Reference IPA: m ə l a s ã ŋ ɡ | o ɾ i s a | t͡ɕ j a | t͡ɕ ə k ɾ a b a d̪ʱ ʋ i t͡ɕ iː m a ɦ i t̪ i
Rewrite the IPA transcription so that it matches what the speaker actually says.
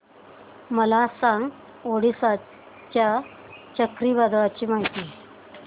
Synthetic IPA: m ə l a s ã ŋ ɡ | o ɽ i s a | t͡ɕ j a | t͡ɕ ə k ɾ i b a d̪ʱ ʋ a t͡ɕ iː m a ɦ i t̪ i